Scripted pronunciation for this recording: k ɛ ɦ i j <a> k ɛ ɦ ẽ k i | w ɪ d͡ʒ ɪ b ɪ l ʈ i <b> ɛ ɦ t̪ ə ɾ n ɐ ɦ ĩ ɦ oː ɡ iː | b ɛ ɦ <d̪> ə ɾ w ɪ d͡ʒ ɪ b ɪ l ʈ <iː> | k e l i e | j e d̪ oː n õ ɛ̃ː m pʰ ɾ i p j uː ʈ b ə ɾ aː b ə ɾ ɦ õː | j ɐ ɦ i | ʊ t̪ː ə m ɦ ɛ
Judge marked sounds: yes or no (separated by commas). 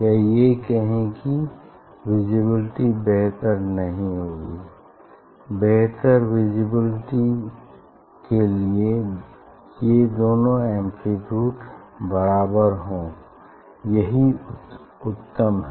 no, yes, no, no